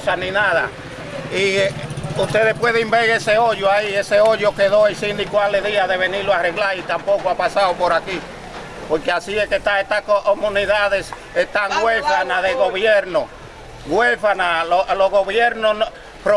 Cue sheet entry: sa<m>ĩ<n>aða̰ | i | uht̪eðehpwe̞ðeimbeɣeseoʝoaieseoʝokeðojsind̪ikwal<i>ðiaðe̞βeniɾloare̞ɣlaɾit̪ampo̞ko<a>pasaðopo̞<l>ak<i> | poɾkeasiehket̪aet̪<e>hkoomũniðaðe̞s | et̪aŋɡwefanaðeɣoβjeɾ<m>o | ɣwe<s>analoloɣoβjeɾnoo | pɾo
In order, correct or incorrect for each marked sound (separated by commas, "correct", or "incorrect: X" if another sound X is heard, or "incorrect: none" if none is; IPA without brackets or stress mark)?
incorrect: n, correct, incorrect: e, correct, incorrect: ɾ, correct, incorrect: a, incorrect: n, incorrect: f